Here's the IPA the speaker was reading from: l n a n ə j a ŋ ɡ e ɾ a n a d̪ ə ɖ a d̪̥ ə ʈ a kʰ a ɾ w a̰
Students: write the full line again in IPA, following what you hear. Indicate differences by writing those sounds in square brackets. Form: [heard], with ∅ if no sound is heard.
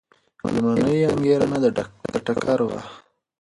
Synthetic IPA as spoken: l [m] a n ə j a ŋ ɡ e ɾ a n a d̪ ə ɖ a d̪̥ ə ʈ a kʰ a ɾ w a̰